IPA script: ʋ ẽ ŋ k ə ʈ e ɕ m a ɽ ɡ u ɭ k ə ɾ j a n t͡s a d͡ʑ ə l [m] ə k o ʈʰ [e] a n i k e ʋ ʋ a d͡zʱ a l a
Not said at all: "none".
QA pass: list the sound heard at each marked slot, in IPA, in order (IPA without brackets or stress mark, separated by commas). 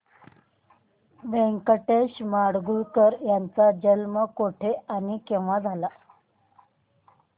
m, e